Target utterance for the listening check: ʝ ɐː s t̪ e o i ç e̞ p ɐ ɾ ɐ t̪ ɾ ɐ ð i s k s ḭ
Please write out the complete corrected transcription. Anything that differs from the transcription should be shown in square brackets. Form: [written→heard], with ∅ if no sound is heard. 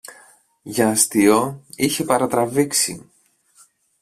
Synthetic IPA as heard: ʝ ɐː s t̪ [e→i] o i ç e̞ p ɐ ɾ ɐ t̪ ɾ ɐ [ð→v] i [s→∅] k s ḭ